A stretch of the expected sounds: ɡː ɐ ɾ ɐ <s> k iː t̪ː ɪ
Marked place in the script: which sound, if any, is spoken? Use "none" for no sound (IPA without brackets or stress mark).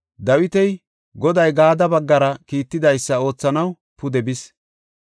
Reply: none